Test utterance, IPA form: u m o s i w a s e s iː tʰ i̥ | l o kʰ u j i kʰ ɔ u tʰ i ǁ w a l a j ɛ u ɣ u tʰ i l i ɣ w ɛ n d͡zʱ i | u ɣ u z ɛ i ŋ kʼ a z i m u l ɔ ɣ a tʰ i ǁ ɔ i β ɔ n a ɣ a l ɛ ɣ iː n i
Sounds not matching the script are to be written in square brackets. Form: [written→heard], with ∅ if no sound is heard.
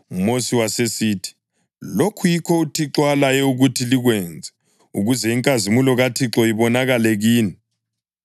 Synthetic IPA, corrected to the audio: u m o s i w a s e s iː tʰ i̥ | l o kʰ u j i kʰ ɔ u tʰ i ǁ w a l a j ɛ u ɣ u tʰ i l i ɣ w ɛ n d͡zʱ [i→ɛ] | u ɣ u z ɛ i ŋ kʼ a z i m u l ɔ ɣ a tʰ i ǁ ɔ i β ɔ n a ɣ a l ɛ ɣ iː n i

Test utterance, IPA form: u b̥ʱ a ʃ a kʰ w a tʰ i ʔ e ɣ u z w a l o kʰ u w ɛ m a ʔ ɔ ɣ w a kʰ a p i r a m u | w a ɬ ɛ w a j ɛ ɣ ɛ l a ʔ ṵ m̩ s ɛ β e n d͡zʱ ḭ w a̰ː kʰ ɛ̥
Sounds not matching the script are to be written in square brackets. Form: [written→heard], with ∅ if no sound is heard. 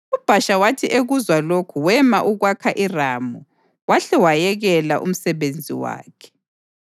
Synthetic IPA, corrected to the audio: u b̥ʱ a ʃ a [kʰ→∅] w a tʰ i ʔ e ɣ u z w a l o kʰ u w ɛ m a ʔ [ɔ→u] ɣ w a kʰ a [p→ʔ] i r a m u | w a ɬ ɛ w a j ɛ ɣ ɛ l a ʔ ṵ m̩ s ɛ β e n d͡zʱ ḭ w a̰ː kʰ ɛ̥

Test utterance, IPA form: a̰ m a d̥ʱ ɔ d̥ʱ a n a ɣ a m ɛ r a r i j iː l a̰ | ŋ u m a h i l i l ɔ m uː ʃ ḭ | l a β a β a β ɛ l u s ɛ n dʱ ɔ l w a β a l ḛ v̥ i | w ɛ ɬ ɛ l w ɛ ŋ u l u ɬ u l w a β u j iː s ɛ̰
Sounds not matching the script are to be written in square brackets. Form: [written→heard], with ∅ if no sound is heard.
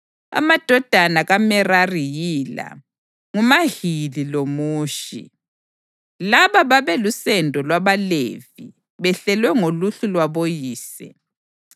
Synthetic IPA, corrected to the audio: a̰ m a d̥ʱ ɔ d̥ʱ a n a ɣ a m ɛ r a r i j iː l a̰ | ŋ u m a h i l i l [ɔ→o] m uː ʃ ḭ | l a β a β a β ɛ l u s ɛ n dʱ ɔ l w a β a l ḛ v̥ i | [w→β] ɛ ɬ ɛ l w ɛ ŋ [u→o] l u ɬ u l w a β [u→o] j iː s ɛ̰

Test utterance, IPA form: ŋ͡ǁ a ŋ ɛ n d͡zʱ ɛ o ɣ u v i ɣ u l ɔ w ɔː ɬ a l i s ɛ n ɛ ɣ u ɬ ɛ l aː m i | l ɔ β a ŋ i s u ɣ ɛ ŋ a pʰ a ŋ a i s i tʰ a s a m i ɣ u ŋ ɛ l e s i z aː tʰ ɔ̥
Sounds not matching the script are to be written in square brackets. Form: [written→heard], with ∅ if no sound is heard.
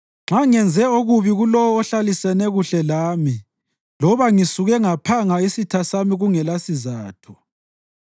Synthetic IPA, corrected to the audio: ŋ͡ǁ a ŋ ɛ n d͡zʱ ɛ o ɣ u [v→β] i ɣ u l ɔ w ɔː ɬ a l i s ɛ n ɛ ɣ u ɬ ɛ l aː m i | l ɔ β a ŋ i s u ɣ ɛ ŋ a pʰ a ŋ a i s i tʰ a s a m i ɣ u ŋ ɛ l [e→a] s i z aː tʰ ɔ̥

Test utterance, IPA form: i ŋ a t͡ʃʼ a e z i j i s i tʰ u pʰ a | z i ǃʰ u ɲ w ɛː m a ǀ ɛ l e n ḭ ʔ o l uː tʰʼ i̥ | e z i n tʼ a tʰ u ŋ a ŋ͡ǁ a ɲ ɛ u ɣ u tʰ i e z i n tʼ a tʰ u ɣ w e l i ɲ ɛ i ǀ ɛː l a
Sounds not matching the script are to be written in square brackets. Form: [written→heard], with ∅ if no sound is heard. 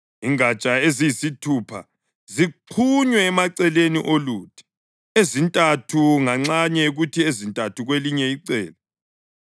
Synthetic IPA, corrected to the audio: i ŋ a t͡ʃʼ a e z i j i s i tʰ u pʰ a | z i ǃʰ u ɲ w ɛː m a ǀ ɛ l e n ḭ ʔ o l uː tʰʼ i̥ | e z i n tʼ a tʰ u ŋ a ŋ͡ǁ a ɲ ɛ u ɣ u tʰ i e z i n tʼ a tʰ u ɣ w e l i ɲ ɛ i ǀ ɛː l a

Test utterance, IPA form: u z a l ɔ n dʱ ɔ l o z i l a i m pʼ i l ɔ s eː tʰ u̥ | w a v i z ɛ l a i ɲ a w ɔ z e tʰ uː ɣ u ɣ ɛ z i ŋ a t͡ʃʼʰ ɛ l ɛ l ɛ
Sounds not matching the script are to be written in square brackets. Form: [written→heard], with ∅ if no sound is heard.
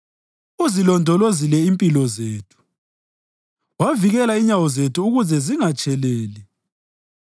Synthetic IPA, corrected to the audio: u z [a→i] l ɔ n dʱ ɔ l o z i l [a→ɛ] i m pʼ i l ɔ [s→z] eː tʰ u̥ | w a v i [z→ɣ] ɛ l a i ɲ a w ɔ z e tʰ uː ɣ u [ɣ→z] ɛ z i ŋ a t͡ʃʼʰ ɛ l [ɛ→ɛː] l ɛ

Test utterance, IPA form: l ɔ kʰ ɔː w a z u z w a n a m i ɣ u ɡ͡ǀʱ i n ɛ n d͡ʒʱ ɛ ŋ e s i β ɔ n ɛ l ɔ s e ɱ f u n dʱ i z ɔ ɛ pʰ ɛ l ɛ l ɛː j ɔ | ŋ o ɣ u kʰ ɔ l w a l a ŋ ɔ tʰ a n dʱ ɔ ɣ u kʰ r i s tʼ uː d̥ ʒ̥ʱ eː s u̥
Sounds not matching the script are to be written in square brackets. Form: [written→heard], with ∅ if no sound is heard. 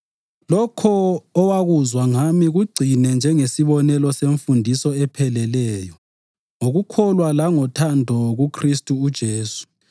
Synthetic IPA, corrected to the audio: l ɔ kʰ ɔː w a [z→ɣ] u z w a [n→ŋ] a m i ɣ u ɡ͡ǀʱ i n ɛ n d͡ʒʱ ɛ ŋ e s i β ɔ n ɛ l ɔ s e ɱ f u n dʱ i [z→s] ɔ ɛ pʰ ɛ l ɛ l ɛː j ɔ | ŋ o ɣ u kʰ ɔ l w a l a ŋ ɔ tʰ a n dʱ ɔ ɣ u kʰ r i s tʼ uː d̥ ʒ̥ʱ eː s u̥

